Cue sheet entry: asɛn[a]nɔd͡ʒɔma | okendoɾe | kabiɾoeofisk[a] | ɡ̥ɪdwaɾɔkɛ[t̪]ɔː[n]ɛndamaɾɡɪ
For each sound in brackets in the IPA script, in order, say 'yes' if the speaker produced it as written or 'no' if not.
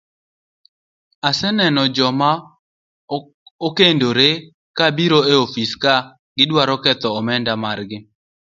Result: no, yes, yes, no

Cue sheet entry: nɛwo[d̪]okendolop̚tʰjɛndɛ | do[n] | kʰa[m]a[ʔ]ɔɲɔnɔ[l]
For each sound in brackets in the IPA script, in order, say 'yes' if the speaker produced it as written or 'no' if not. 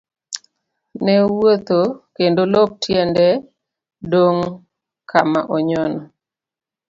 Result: no, no, yes, yes, no

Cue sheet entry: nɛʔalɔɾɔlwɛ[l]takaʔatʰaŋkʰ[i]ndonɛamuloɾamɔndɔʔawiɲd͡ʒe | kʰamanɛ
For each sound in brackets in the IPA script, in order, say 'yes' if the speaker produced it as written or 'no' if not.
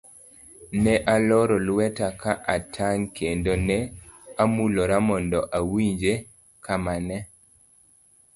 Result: no, no

